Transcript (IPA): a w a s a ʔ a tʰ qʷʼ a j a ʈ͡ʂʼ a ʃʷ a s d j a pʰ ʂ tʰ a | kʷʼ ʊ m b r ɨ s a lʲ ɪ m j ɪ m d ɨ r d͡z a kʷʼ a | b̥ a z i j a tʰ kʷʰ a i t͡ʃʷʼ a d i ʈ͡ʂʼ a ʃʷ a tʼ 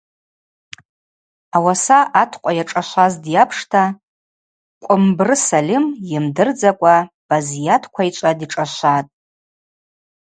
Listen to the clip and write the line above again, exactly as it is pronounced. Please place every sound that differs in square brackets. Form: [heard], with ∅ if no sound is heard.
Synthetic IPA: a w a s a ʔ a tʰ qʷʼ a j a ʈ͡ʂʼ a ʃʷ a [z] d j a pʰ ʂ tʰ a | kʷʼ ʊ m b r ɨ s a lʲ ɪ m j ɪ m d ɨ r d͡z a kʷʼ a | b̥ a z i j a tʰ kʷʰ a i t͡ʃʷʼ a d i ʈ͡ʂʼ a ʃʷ a tʼ